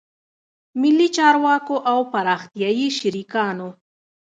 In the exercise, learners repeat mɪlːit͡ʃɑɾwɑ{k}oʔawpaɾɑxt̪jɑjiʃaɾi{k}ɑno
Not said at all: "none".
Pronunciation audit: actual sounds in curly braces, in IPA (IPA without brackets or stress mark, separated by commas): k, k